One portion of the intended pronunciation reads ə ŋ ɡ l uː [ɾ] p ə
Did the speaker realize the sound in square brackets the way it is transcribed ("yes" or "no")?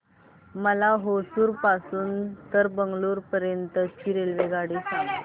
yes